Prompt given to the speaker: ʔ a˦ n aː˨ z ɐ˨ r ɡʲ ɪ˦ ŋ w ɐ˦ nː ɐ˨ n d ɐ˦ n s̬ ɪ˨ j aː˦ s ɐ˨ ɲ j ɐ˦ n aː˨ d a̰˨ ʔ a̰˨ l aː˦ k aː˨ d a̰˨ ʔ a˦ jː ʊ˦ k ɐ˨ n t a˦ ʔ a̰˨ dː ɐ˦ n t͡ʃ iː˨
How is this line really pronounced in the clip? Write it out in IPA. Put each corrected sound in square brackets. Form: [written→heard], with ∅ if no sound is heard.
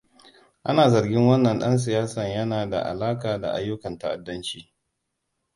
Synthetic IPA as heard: ʔ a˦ n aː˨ z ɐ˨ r ɡʲ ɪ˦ ŋ w ɐ˦ nː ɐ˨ n [d→ɗ] ɐ˦ n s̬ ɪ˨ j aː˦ s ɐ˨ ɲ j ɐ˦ n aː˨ d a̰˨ ʔ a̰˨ l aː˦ k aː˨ d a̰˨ ʔ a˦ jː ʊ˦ k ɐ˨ n t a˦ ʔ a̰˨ dː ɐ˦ n t͡ʃ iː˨